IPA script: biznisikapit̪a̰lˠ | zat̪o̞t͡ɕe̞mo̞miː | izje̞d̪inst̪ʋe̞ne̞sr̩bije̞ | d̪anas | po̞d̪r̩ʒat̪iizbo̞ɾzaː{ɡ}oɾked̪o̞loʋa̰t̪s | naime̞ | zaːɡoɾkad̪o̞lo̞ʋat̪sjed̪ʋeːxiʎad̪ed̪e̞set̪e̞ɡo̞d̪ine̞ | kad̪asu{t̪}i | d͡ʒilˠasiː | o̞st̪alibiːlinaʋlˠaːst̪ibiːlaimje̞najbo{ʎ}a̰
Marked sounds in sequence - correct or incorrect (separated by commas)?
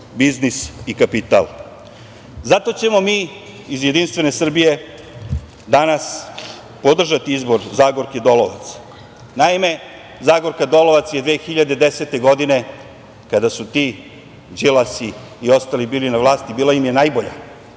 correct, correct, correct